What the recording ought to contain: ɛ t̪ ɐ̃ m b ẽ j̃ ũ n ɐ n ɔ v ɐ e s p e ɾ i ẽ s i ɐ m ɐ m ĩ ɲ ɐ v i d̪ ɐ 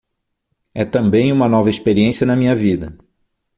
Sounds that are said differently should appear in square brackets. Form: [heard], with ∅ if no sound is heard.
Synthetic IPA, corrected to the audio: ɛ t̪ ɐ̃ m b ẽ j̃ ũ [m] ɐ n ɔ v ɐ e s p e ɾ i ẽ s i ɐ [n] ɐ m ĩ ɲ ɐ v i d̪ ɐ